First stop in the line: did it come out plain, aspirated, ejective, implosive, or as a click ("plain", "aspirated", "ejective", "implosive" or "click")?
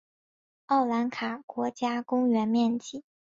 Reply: aspirated